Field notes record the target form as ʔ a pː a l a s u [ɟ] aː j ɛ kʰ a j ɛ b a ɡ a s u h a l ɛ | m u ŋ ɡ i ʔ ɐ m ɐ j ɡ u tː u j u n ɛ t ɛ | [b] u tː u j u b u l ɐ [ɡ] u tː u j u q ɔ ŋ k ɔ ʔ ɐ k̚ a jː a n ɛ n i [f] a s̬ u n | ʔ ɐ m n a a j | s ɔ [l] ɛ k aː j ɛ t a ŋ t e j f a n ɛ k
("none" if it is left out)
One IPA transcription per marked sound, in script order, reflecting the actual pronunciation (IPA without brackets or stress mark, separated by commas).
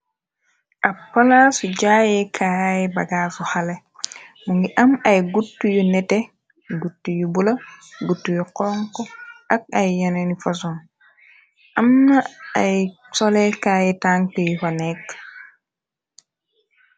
ɟ, ɡ, ɡ, f, l